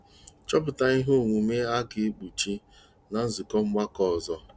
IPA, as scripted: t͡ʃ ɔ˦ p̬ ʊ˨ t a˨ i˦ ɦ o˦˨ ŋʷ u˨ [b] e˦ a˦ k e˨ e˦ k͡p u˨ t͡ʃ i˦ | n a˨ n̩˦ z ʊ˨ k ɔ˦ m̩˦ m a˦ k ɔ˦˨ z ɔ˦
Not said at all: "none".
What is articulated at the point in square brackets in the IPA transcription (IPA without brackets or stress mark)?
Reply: m